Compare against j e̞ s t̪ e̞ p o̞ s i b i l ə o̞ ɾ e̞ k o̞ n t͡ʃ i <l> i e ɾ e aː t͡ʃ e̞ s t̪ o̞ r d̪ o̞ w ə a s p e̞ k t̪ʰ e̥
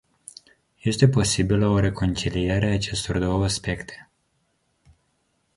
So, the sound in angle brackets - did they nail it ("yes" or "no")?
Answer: yes